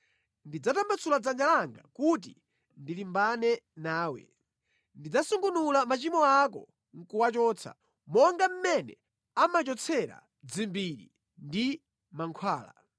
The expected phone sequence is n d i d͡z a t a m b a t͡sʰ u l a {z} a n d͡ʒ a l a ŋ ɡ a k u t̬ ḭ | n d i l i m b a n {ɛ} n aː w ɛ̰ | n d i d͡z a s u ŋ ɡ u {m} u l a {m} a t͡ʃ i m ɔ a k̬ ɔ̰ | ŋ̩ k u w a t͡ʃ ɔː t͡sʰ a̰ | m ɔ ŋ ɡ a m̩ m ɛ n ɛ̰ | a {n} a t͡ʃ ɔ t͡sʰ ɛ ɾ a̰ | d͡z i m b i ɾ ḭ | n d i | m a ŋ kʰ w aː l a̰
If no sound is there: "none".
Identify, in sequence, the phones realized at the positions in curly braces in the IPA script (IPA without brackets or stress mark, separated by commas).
d͡z, ɛ, n, m, m